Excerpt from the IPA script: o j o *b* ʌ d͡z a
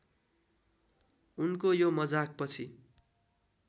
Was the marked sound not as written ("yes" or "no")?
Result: yes